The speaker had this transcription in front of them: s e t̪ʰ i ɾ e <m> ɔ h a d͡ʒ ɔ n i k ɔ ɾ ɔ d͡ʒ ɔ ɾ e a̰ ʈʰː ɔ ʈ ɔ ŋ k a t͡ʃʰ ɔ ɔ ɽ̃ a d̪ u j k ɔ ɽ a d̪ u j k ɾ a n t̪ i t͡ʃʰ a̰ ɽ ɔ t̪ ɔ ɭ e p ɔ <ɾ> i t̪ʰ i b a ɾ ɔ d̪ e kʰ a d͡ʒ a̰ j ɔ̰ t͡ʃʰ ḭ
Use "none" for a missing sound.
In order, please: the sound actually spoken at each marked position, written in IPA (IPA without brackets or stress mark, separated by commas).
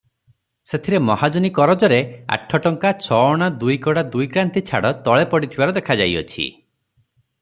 m, ɽ